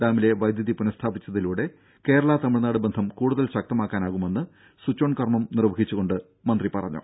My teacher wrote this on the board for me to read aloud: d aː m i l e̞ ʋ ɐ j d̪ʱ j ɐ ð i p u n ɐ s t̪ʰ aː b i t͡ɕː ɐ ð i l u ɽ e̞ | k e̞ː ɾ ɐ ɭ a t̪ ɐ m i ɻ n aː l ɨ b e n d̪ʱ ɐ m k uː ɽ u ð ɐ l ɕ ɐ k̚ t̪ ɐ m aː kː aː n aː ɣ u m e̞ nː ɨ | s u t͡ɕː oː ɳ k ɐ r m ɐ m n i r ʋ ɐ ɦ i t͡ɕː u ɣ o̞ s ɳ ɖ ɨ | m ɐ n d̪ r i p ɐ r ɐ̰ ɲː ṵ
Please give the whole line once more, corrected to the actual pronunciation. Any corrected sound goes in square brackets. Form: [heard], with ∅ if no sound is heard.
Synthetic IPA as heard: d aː m i l e̞ ʋ ɐ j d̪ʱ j ɐ ð i p u n ɐ s t̪ʰ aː b i t͡ɕː ɐ ð i l [uː] ɽ e̞ | k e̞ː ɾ ɐ ɭ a t̪ ɐ m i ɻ n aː [ɽ] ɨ b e n d̪ʱ ɐ m k uː ɽ u ð ɐ l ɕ ɐ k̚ t̪ ɐ m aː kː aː n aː ɣ u m e̞ nː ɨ | s u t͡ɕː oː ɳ k ɐ r m ɐ m n i r ʋ ɐ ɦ i t͡ɕː u ɣ o̞ [∅] ɳ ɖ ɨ | m ɐ n d̪ r i p ɐ r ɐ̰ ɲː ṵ

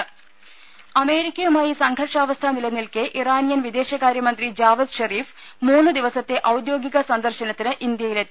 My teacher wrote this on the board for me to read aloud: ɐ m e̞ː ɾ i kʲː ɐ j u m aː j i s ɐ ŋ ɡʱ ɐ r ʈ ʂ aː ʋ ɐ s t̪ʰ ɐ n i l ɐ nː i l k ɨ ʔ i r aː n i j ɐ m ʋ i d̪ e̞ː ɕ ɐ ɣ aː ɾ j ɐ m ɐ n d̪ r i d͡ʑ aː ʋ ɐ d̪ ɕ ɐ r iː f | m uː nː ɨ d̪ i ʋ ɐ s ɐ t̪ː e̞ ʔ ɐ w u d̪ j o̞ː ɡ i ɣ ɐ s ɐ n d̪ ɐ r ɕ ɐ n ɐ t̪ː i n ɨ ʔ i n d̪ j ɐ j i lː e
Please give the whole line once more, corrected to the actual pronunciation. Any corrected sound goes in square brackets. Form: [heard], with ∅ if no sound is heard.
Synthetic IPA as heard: ɐ m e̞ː ɾ i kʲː ɐ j u m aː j i s ɐ ŋ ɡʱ ɐ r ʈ ʂ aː ʋ ɐ s t̪ʰ ɐ n i l ɐ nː i l k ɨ ʔ i r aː n i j ɐ [n] ʋ i d̪ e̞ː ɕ ɐ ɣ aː ɾ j ɐ m ɐ n d̪ r i d͡ʑ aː ʋ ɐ d̪ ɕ ɐ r iː f | m uː nː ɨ d̪ i ʋ ɐ s ɐ t̪ː e̞ ʔ ɐ w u d̪ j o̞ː ɡ i ɣ ɐ s ɐ n d̪ ɐ r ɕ ɐ n ɐ t̪ː i n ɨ ʔ i n d̪ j ɐ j i [l] e

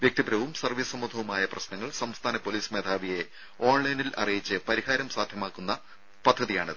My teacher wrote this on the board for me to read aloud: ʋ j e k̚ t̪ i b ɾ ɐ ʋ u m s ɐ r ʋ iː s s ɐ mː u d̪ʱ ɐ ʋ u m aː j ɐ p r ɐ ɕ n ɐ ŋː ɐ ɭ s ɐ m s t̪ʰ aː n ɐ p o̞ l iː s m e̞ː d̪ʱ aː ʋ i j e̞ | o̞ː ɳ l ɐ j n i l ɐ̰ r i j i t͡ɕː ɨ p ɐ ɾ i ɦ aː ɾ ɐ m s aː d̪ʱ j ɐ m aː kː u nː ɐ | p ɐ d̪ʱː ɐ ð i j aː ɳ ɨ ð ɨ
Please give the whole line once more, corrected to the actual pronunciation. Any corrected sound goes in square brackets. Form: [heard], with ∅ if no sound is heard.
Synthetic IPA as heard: ʋ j e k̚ t̪ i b ɾ ɐ ʋ u m s ɐ r ʋ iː s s ɐ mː u d̪ʱ ɐ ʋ u m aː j ɐ p r ɐ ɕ n ɐ ŋː ɐ ɭ s ɐ m s t̪ʰ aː n ɐ p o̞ l iː s m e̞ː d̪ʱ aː ʋ i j e̞ | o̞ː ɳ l ɐ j n i l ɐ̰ r i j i t͡ɕː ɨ p ɐ ɾ i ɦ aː ɾ ɐ m s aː d̪ʱ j ɐ m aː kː u nː ɐ | p ɐ d̪ʱː ɐ ð i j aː ɳ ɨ ð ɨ

